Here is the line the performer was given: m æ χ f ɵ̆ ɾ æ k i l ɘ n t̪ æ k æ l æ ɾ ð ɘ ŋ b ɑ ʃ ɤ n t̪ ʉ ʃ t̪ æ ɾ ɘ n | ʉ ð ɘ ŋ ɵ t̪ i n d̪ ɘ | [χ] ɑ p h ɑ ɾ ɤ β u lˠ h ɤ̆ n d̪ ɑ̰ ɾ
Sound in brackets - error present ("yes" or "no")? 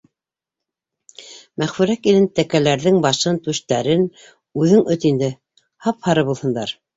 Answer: yes